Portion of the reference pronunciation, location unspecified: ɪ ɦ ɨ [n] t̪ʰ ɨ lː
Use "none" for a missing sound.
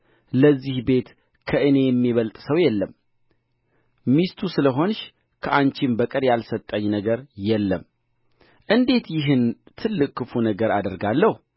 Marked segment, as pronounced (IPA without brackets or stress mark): n